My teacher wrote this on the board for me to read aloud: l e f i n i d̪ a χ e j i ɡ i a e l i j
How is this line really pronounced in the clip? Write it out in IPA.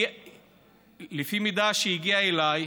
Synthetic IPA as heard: l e f i m i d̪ a ʃ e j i ɡ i a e l a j